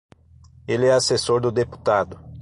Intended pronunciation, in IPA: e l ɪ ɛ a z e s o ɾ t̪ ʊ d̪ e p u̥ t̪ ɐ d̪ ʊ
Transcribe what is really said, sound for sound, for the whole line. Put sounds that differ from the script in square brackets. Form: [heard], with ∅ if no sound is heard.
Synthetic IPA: e l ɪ ɛ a [s] e s o ɾ [d̪] ʊ d̪ e p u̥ t̪ [a] d̪ ʊ